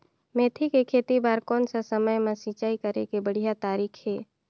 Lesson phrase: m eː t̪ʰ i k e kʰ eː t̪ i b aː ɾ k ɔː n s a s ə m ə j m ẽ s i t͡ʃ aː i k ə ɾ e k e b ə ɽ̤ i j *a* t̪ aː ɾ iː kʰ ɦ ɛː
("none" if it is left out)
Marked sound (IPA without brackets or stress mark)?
a